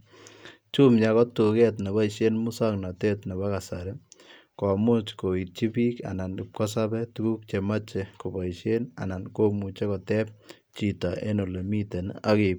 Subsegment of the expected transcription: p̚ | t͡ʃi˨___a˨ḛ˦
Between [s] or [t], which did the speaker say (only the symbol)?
t